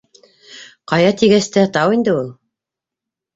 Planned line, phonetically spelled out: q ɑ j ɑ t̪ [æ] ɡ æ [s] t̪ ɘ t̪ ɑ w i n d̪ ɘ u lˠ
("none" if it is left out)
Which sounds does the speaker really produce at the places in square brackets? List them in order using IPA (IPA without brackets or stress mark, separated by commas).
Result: i, s